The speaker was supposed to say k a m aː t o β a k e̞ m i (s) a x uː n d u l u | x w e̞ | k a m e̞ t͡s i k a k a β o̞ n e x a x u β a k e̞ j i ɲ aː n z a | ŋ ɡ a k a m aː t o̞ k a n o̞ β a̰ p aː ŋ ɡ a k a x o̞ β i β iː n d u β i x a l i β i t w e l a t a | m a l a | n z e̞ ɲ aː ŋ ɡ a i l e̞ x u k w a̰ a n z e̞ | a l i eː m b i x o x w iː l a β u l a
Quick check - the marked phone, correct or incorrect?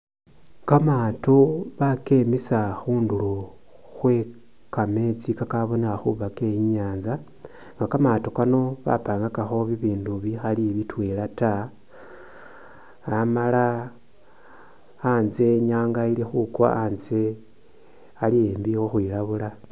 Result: correct